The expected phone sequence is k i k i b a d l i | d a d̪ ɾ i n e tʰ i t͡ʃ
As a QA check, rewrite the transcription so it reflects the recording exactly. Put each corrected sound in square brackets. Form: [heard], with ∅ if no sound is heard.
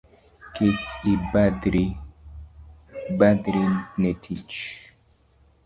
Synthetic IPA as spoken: k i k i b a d [ɾ] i | [b] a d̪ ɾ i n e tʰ i t͡ʃ

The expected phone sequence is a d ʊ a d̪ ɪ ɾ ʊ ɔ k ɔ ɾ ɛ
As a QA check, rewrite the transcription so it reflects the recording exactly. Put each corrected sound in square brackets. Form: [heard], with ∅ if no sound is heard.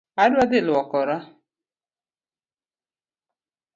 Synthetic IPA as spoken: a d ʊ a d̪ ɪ [l] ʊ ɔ k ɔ ɾ [a]

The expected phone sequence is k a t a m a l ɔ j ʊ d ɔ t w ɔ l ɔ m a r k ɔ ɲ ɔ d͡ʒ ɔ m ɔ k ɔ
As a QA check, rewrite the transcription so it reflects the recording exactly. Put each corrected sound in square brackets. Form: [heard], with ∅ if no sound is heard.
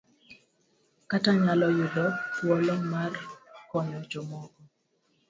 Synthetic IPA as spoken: k a t a [ɲ] a l ɔ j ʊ d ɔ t w ɔ l ɔ m a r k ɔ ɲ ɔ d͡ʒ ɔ m ɔ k ɔ

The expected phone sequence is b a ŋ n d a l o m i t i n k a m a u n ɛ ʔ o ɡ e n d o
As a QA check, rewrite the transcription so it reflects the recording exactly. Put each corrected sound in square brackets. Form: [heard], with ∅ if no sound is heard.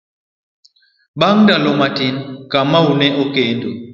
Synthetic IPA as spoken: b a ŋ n d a l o m [a] t i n k a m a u n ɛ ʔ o [k] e n d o

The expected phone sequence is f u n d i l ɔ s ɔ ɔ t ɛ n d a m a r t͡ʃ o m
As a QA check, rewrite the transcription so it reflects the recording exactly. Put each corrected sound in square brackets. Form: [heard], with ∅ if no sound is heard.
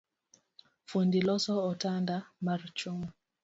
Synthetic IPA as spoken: f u n d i l ɔ s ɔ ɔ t [a] n d a m a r t͡ʃ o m

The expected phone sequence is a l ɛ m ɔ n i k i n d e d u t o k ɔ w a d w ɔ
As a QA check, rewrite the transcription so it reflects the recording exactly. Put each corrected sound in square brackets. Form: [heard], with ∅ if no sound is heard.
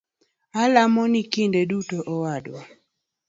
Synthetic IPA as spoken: a l [a] m ɔ n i k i n d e d u t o [ʔ] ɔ w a d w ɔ

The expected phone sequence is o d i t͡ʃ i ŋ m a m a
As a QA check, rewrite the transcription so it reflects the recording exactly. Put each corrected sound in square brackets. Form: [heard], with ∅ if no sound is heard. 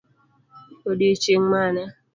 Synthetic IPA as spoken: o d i t͡ʃ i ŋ m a [n] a

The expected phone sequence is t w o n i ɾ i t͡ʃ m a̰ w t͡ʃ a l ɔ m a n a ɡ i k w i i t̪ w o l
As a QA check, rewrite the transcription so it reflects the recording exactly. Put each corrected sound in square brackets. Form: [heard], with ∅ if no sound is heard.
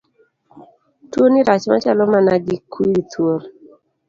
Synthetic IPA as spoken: t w o n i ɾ [a] t͡ʃ m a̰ [∅] t͡ʃ a l ɔ m a n a ɡ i k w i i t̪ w o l

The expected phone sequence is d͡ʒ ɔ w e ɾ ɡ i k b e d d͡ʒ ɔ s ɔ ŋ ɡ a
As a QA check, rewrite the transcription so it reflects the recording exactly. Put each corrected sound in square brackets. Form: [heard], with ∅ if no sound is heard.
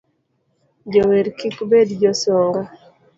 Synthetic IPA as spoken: d͡ʒ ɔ w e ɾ [k] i k b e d d͡ʒ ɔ s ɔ ŋ ɡ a

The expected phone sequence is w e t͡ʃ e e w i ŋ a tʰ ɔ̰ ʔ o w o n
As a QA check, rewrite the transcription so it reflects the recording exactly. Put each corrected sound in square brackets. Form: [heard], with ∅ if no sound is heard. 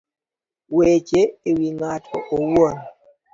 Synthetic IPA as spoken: w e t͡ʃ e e w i ŋ a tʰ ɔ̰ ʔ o w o n

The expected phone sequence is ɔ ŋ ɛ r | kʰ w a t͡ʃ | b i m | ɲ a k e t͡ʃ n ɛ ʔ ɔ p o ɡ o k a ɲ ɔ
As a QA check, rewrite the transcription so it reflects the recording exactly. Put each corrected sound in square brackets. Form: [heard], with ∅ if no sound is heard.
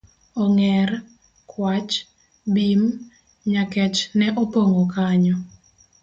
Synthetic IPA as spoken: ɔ ŋ ɛ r | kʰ w a t͡ʃ | b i m | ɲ a k [ɛ] t͡ʃ n ɛ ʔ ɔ p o [ŋ] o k a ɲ ɔ

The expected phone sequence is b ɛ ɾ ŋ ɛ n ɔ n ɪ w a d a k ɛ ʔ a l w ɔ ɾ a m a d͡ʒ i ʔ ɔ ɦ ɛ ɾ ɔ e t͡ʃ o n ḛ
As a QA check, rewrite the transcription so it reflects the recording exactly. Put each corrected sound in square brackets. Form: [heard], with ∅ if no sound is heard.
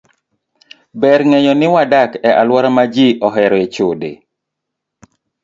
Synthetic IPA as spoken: b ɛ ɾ ŋ ɛ [ɲ] ɔ n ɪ w a d a k ɛ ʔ a l w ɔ ɾ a m a d͡ʒ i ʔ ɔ ɦ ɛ ɾ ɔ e t͡ʃ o [d] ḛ

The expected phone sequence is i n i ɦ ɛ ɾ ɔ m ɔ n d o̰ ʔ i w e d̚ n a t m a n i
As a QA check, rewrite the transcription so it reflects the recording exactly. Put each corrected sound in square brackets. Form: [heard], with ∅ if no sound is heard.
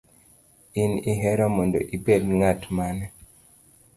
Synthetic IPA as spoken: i n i ɦ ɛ ɾ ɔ m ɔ n d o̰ ʔ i [b] e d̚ [ŋ] a t m a n [ɛ]

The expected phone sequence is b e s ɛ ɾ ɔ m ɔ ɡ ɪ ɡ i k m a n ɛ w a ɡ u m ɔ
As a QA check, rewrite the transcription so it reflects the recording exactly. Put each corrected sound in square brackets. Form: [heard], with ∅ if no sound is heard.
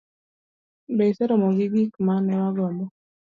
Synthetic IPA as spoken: b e s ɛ ɾ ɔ m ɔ ɡ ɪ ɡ i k m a n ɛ w a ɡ [ɔ] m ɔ

